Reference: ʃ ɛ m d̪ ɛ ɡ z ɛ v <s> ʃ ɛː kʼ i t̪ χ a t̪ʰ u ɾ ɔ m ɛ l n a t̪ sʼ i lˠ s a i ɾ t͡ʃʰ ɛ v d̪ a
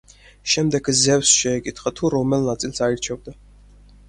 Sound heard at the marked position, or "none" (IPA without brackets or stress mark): s